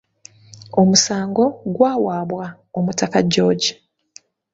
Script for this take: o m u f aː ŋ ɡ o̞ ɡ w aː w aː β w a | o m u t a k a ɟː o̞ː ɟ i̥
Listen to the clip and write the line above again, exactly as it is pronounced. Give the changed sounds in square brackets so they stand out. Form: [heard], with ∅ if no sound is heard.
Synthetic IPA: o m u [s] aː ŋ ɡ o̞ ɡ w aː w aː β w a | o m u t a k a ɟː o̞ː ɟ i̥